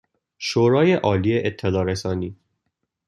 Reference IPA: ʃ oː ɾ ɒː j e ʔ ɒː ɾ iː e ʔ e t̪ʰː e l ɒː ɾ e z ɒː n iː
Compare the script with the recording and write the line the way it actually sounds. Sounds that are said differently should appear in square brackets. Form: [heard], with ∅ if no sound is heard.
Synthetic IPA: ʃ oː ɾ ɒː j e ʔ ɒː [l] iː e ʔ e t̪ʰː e l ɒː ɾ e [s] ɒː n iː